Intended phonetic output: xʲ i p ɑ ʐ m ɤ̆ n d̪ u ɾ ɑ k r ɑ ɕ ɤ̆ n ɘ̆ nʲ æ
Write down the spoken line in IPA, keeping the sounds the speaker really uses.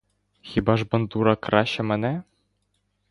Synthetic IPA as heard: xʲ i b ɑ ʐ b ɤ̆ n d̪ u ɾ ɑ k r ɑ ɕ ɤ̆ m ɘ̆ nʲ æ